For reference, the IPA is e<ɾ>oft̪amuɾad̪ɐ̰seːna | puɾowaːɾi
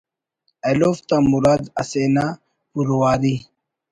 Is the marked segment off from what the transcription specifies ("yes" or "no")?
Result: yes